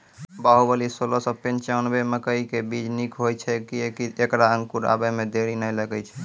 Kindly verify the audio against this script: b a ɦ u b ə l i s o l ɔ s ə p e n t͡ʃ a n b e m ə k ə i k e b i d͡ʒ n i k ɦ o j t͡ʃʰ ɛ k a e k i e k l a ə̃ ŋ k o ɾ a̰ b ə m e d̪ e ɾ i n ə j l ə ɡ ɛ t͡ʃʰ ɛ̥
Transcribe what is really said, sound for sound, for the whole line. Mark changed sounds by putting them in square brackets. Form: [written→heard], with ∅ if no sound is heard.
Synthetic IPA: b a ɦ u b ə l i s o l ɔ s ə p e n t͡ʃ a n b e m ə k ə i k e b i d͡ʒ n i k ɦ o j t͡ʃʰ ɛ k [a→i] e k i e k [l→ɾ] a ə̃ ŋ k [o→u] ɾ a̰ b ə m e d̪ e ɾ i n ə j l ə ɡ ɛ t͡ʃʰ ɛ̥

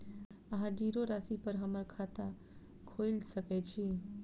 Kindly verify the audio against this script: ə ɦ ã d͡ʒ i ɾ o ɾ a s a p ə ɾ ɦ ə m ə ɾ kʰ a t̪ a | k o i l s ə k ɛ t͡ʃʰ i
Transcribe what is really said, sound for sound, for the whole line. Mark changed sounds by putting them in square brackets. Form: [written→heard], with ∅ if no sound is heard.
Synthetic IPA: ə ɦ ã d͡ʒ i ɾ o ɾ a s [a→i] p ə ɾ ɦ ə m ə ɾ kʰ a t̪ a | [k→kʰ] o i l s ə k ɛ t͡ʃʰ i

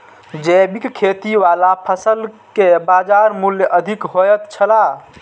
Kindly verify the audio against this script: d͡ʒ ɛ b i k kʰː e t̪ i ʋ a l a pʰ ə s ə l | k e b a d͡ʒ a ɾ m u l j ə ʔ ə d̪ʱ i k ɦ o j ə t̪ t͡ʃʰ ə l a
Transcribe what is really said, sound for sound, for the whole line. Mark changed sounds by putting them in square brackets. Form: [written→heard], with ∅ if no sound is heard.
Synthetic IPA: d͡ʒ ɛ b i k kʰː e t̪ i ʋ a l a pʰ ə s ə l | k e b a d͡ʒ a ɾ m u l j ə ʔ ə d̪ʱ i k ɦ o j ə t̪ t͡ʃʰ ə l a

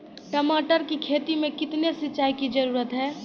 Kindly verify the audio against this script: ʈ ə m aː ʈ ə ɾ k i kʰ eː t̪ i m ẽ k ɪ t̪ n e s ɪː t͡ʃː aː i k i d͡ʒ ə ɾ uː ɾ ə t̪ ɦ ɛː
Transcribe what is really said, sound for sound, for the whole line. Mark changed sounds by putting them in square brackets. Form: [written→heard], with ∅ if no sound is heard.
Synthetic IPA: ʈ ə m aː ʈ ə ɾ k i kʰ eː t̪ i m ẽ k ɪ t̪ n e s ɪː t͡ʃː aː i k i d͡ʒ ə ɾ uː ɾ ə t̪ ɦ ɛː

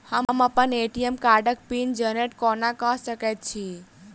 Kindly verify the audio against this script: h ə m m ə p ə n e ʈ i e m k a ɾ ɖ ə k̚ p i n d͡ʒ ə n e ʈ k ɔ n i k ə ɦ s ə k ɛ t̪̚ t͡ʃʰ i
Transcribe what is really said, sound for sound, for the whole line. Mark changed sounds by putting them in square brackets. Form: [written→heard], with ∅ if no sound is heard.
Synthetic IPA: h ə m m ə p ə n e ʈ i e m k a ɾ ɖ ə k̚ p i n d͡ʒ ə n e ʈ k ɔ n [i→a] k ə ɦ s ə k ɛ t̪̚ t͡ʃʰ i

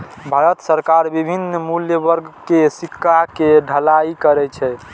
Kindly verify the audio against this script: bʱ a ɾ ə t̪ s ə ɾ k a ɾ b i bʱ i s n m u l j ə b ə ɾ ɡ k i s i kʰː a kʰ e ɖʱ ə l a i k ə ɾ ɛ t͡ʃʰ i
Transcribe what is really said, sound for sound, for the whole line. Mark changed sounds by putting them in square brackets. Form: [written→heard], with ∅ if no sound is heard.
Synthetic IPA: bʱ a ɾ ə t̪ s ə ɾ k a ɾ b i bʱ i [s→∅] n m u l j ə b ə ɾ ɡ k [i→e] s i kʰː a [kʰ→k] e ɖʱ ə l a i k ə ɾ ɛ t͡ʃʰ [i→ɛ]

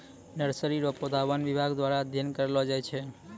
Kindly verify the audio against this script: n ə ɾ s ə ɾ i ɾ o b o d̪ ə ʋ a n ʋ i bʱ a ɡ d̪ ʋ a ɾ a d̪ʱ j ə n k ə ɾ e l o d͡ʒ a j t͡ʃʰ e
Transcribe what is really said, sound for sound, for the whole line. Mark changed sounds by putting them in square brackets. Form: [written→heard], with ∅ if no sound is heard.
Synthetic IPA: n ə ɾ s ə ɾ i ɾ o [b→p] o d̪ [ə→a] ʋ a n ʋ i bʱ a ɡ d̪ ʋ a ɾ a d̪ʱ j ə n k ə ɾ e l o d͡ʒ a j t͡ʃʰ e

